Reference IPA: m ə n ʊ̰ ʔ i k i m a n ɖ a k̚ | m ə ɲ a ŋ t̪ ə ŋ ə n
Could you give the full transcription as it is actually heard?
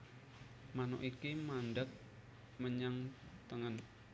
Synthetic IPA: m a n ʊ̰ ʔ i k i m a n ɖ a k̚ | m ə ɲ a ŋ t̪ ə ŋ ə n